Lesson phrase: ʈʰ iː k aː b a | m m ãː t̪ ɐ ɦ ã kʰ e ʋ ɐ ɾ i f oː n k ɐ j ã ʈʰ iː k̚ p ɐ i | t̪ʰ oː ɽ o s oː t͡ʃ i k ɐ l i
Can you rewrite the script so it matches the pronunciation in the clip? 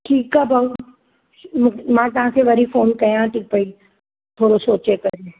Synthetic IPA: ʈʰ iː k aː b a | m m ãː t̪ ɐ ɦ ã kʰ e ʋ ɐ ɾ i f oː n k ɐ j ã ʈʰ iː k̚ p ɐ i | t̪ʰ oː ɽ o s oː t͡ʃ e k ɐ ɾ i